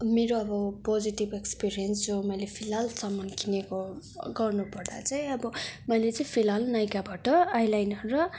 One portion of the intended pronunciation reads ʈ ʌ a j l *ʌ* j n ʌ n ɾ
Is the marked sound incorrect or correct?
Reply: incorrect